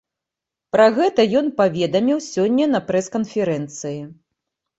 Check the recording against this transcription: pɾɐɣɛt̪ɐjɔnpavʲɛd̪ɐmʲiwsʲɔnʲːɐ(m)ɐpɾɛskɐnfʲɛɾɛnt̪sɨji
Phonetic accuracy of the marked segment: incorrect: n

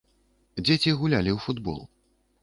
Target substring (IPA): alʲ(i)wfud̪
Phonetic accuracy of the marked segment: correct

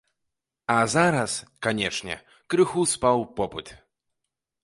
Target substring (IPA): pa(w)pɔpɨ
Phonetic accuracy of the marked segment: correct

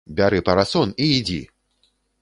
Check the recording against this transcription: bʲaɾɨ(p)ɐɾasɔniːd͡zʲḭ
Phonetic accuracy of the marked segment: correct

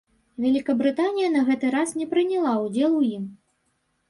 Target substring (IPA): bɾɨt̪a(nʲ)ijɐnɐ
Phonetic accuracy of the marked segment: correct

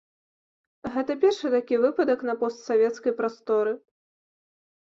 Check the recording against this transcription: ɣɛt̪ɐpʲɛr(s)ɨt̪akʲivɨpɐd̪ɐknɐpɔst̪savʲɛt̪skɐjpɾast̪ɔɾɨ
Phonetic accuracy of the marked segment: incorrect: ʂ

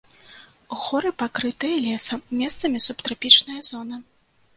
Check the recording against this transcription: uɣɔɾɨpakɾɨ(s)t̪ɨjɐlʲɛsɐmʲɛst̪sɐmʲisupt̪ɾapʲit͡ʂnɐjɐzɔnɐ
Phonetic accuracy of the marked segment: incorrect: none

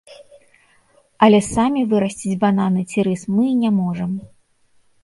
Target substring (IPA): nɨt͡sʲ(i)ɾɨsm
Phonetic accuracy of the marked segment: correct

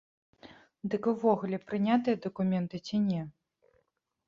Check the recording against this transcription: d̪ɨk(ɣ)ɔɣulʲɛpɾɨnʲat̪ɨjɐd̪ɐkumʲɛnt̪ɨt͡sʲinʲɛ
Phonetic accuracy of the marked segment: incorrect: v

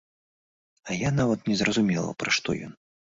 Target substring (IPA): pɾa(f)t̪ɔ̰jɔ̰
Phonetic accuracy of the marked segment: incorrect: ʂ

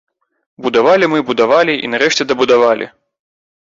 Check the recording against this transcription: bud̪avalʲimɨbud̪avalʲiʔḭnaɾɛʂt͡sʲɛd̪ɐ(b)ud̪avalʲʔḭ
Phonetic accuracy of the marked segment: correct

